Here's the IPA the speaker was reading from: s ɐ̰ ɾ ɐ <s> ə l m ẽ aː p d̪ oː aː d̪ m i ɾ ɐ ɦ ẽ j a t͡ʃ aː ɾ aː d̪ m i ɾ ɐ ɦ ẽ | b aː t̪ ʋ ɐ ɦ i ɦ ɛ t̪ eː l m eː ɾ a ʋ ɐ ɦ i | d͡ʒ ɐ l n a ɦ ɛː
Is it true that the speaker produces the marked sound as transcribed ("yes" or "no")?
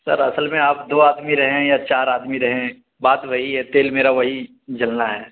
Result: yes